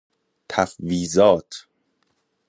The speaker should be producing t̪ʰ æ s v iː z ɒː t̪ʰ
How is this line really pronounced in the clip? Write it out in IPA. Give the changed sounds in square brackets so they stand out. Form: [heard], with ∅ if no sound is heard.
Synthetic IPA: t̪ʰ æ [f] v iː z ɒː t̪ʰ